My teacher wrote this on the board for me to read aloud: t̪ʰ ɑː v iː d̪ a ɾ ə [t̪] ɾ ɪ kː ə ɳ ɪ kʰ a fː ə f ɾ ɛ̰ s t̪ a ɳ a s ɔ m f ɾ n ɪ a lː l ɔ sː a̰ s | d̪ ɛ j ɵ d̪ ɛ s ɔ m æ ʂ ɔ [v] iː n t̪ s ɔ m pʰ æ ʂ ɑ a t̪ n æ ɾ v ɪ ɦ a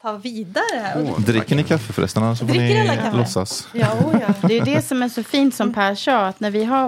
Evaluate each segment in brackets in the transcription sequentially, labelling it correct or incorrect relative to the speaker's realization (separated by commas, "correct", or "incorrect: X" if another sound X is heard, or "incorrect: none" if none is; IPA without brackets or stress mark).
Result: incorrect: d̪, incorrect: f